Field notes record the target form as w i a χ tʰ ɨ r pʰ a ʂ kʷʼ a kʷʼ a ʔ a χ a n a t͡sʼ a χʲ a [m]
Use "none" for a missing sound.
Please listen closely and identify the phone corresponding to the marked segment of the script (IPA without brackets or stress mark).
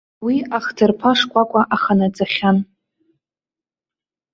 n